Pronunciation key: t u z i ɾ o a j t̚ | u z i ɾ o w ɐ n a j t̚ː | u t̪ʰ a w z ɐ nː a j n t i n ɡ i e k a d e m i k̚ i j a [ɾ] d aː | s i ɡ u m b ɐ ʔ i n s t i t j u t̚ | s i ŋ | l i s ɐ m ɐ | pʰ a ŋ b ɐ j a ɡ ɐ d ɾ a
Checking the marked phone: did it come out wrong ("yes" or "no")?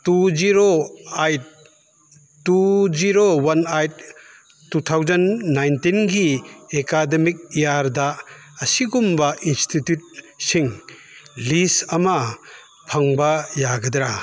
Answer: no